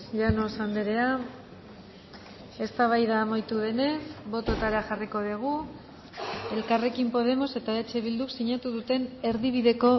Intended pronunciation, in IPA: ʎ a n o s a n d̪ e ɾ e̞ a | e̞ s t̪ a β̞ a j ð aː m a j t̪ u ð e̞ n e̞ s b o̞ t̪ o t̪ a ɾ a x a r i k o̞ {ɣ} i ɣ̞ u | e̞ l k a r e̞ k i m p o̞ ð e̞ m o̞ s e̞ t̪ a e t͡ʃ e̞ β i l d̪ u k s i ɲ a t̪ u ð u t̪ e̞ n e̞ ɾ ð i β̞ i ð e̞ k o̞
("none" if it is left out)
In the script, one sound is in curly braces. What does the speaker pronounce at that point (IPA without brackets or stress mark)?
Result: ð